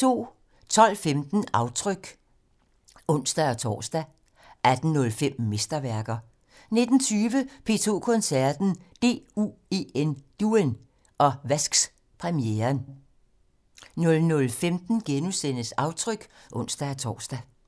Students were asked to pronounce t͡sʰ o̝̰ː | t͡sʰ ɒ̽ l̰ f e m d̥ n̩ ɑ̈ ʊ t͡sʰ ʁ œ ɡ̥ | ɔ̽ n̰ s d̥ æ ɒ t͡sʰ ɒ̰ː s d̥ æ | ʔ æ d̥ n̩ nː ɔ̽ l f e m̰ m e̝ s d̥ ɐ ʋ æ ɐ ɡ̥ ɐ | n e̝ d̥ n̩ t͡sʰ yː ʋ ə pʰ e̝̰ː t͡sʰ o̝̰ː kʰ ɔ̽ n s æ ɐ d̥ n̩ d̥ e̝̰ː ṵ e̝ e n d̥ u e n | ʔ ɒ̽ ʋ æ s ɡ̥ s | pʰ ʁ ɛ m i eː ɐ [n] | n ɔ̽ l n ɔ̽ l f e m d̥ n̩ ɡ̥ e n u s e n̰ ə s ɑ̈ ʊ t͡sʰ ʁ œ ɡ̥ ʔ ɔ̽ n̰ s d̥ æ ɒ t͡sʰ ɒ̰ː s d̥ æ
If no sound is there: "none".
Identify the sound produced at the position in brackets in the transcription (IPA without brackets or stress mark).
n